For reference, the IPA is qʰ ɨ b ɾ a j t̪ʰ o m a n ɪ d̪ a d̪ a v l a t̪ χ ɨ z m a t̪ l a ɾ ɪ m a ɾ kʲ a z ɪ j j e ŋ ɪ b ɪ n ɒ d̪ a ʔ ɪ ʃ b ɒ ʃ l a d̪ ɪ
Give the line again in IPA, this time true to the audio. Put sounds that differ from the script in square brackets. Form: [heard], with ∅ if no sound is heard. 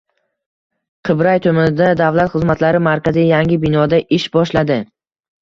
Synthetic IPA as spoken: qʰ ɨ b ɾ a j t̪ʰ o m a n ɪ d̪ a d̪ a v l a t̪ χ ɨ z m a t̪ l a ɾ ɪ m a ɾ kʲ a z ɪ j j [a] ŋ ɪ b ɪ n ɒ d̪ a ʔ ɪ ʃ b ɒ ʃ l a d̪ ɪ